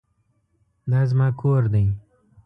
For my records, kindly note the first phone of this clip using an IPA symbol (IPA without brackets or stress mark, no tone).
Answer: d̪